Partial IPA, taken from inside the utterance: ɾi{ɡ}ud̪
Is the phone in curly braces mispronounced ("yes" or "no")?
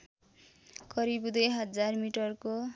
yes